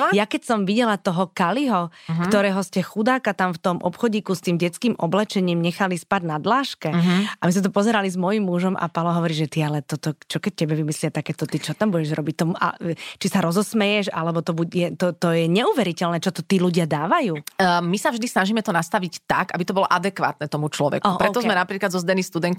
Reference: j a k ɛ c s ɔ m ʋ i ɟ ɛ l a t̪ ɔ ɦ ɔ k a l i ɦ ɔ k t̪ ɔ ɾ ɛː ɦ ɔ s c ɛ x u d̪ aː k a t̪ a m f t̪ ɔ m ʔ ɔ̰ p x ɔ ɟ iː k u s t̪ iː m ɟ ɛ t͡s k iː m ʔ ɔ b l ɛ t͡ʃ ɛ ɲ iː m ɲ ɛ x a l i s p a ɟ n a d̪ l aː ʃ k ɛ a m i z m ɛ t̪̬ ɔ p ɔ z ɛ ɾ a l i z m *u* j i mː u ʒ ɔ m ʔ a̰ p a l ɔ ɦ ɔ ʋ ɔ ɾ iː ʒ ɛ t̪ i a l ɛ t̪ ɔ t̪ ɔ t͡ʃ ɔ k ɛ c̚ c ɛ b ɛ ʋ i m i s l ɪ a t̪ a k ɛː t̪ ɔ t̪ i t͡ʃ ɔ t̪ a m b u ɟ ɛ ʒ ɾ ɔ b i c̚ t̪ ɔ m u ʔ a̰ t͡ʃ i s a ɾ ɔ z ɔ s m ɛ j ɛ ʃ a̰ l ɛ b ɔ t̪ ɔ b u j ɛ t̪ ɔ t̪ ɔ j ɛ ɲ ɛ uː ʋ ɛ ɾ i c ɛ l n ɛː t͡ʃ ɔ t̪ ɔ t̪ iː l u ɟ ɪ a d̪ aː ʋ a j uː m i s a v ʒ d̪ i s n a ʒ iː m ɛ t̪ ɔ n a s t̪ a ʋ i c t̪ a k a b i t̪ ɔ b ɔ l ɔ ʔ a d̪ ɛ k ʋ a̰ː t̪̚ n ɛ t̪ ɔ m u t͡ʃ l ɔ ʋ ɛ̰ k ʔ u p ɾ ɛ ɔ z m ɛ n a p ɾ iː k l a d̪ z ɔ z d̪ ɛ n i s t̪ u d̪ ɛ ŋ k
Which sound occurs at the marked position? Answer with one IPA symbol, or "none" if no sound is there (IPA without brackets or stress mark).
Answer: ɔ